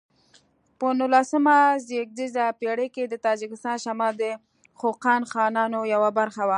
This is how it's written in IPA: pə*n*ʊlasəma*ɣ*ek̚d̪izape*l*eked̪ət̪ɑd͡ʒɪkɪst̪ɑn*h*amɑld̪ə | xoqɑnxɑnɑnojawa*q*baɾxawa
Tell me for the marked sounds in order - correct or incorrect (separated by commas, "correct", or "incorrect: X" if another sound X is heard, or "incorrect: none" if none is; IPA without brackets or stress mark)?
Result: correct, incorrect: z, incorrect: ɽ, incorrect: ʃ, incorrect: none